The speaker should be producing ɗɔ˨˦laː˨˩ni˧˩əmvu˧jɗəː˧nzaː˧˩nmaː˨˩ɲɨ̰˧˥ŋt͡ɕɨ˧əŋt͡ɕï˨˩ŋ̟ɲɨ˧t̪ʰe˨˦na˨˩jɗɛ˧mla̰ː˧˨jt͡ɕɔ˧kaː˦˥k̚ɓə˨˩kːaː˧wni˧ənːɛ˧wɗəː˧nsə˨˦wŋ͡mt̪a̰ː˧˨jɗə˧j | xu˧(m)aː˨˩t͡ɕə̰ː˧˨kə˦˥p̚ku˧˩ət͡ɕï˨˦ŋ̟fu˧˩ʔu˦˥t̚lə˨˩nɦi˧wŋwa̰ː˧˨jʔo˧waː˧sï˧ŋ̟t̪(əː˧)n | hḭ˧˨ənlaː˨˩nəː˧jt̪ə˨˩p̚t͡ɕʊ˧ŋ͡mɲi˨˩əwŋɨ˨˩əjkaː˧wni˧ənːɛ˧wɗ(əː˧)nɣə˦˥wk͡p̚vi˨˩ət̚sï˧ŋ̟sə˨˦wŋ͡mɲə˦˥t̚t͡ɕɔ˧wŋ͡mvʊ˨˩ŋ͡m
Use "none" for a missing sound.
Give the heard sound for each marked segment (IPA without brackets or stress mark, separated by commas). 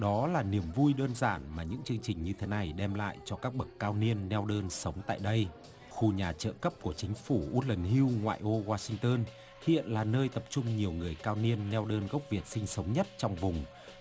ɲ, əː˧, əː˧